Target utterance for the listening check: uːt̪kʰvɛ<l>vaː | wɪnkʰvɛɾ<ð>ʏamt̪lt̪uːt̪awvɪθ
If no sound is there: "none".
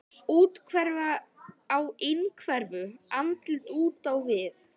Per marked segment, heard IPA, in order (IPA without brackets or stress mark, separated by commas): ɾ, v